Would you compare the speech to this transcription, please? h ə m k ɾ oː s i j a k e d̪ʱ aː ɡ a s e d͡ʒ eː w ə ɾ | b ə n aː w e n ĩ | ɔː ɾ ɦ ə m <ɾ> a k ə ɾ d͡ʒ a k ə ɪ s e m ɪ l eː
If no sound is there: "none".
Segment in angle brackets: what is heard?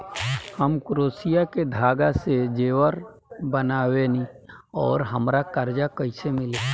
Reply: ɾ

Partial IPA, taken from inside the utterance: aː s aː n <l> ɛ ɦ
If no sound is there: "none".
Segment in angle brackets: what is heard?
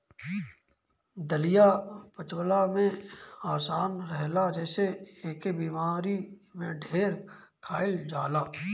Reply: ɾ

